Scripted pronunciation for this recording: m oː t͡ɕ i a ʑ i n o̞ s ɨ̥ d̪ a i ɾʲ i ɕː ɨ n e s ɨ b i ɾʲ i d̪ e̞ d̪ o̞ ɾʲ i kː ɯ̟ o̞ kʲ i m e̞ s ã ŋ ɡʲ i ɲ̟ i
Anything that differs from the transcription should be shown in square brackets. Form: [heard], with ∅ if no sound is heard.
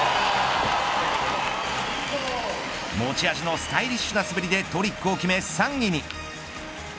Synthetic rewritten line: m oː t͡ɕ i a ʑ i n o̞ s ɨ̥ [t̪] a i ɾʲ i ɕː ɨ n [a] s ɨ b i ɾʲ i d̪ e̞ [t̪] o̞ ɾʲ i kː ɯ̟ o̞ kʲ i m e̞ s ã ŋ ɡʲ i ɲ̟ i